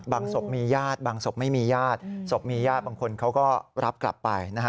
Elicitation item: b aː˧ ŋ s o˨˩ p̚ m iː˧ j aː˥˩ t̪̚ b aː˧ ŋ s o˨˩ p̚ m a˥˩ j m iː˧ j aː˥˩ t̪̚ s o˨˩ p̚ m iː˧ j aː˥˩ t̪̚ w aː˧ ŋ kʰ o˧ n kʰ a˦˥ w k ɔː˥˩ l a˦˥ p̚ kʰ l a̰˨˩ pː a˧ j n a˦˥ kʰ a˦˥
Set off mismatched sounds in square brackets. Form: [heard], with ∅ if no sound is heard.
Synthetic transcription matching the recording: b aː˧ ŋ s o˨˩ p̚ m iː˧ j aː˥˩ t̪̚ b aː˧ ŋ s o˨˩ p̚ m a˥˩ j m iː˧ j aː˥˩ t̪̚ s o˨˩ p̚ m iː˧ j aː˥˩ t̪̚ [b] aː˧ ŋ kʰ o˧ n kʰ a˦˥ w k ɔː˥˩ [ɾ] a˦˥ p̚ [k] l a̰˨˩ pː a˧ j n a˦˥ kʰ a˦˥